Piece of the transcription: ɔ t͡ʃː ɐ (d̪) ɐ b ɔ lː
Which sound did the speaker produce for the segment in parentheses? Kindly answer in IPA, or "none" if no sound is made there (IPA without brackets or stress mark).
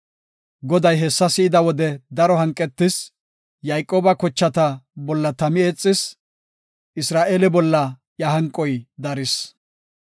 t̪